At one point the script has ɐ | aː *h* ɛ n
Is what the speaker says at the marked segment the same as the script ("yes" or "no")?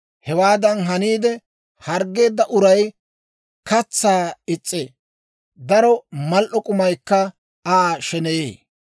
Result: no